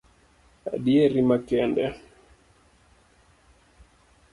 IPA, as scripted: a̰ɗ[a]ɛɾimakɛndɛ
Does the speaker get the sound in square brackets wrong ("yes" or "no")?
yes